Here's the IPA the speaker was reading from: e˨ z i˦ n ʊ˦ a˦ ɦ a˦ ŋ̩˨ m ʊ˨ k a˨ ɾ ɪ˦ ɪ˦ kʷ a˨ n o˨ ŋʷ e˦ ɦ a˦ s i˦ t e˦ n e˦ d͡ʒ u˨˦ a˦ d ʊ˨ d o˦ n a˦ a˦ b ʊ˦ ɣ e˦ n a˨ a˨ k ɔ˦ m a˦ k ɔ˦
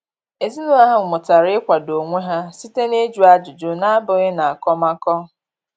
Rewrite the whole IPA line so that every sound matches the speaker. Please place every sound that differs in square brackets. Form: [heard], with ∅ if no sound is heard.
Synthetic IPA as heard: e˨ z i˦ n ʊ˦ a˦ ɦ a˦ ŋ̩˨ m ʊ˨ [t] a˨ ɾ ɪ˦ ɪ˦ kʷ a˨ [d] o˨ ŋʷ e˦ ɦ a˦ s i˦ t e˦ n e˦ d͡ʒ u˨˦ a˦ [d͡ʒ] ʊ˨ [d͡ʒ] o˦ n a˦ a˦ b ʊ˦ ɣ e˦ n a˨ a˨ k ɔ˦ m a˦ k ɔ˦

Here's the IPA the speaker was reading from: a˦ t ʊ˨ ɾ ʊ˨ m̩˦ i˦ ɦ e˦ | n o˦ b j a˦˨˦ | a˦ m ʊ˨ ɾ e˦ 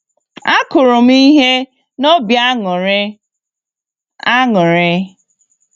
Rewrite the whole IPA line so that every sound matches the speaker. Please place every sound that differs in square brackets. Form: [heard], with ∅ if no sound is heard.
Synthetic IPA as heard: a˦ [k] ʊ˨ ɾ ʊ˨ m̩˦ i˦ ɦ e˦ | n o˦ b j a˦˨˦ | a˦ [ŋ] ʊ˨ ɾ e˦

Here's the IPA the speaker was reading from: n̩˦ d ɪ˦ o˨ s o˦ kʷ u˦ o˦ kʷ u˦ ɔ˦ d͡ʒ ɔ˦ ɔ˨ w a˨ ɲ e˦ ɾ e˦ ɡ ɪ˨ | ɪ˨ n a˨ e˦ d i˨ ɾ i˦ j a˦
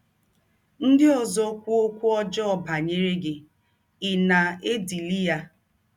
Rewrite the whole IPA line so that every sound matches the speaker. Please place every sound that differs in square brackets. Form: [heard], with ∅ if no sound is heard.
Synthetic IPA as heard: n̩˦ d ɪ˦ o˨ [z] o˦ kʷ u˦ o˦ kʷ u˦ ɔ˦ d͡ʒ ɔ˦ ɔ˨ [b] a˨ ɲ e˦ ɾ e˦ ɡ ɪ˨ | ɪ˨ n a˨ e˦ d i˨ [l] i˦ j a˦

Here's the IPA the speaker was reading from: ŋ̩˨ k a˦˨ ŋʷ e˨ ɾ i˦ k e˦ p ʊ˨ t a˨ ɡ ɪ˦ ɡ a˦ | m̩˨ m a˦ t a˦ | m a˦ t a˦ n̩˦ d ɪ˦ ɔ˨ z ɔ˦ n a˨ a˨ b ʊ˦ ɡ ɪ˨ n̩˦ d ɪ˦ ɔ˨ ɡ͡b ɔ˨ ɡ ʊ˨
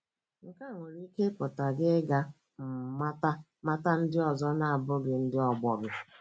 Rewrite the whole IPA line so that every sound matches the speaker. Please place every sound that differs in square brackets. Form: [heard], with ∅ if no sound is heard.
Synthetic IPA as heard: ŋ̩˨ k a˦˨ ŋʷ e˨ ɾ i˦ k e˦ p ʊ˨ t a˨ ɡ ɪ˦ ɡ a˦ | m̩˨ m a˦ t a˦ | m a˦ t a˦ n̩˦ d ɪ˦ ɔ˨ z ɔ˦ n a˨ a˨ b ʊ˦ ɡ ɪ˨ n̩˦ d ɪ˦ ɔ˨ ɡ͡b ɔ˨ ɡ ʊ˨

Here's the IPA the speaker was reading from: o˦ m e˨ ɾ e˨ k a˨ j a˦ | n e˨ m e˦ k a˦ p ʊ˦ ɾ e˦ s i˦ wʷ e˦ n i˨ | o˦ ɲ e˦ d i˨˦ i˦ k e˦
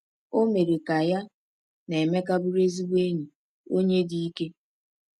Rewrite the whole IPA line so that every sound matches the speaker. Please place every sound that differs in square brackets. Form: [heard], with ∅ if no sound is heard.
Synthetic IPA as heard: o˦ m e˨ ɾ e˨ k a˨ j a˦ | n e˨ m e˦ k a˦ [b] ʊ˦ ɾ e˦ [z] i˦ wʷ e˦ [ɲ] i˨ | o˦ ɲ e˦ d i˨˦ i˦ k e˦

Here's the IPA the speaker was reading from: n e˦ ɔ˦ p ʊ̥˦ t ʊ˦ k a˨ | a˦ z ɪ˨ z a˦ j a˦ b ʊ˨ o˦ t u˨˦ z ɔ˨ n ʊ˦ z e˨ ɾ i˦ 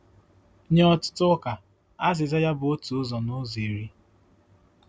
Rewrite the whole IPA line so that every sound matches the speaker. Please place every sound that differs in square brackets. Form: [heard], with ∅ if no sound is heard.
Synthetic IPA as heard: [ɲ] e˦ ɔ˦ [t] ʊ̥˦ t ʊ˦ k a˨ | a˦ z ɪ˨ z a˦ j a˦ b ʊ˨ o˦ t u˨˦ z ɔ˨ n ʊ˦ z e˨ ɾ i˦

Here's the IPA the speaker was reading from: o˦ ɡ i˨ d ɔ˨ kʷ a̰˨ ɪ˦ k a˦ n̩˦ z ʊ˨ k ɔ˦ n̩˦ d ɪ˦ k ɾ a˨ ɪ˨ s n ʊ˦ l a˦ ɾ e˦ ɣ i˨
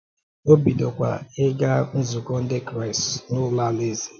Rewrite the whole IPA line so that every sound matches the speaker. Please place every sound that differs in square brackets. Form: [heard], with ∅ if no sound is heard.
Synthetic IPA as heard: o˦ [b] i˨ d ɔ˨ kʷ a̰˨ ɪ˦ [ɡ] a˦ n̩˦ z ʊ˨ k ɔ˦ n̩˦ d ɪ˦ k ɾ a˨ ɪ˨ s n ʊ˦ l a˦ [l] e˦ [z] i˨

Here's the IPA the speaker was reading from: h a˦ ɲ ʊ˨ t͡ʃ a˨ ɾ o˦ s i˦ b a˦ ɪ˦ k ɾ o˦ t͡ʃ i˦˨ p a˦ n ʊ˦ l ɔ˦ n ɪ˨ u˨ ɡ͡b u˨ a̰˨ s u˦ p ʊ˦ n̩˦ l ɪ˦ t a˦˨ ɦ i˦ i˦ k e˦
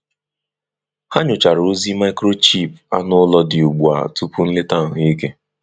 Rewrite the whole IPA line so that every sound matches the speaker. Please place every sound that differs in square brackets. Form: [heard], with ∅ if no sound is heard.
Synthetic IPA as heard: h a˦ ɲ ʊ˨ t͡ʃ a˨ ɾ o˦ [z] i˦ [m] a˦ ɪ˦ k ɾ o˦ t͡ʃ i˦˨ p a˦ n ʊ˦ l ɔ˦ [d] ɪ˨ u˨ ɡ͡b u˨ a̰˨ [t] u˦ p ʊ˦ n̩˦ l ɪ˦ t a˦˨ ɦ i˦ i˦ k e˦

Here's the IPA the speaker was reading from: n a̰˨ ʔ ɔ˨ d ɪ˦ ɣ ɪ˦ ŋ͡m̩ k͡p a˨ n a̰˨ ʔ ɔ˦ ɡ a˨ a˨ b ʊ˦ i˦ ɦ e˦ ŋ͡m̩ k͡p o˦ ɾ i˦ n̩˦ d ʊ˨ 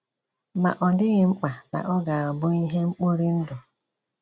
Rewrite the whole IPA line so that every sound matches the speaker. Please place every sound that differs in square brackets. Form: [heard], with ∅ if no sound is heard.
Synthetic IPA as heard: [m] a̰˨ ʔ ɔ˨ d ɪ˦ ɣ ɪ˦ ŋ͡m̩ k͡p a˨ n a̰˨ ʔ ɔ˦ ɡ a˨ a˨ b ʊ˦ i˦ ɦ e˦ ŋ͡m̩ k͡p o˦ ɾ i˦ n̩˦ d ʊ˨

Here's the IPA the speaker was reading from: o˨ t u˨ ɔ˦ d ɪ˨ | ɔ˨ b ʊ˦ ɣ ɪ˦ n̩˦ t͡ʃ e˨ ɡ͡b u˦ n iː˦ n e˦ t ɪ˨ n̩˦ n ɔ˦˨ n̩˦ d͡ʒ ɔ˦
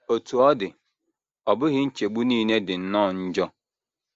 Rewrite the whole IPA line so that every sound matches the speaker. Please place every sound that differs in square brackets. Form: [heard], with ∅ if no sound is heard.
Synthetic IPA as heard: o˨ t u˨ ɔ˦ d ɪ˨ | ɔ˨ b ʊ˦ ɣ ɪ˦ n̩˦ t͡ʃ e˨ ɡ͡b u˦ n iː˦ n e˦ [d] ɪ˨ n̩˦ n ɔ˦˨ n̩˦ d͡ʒ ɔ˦

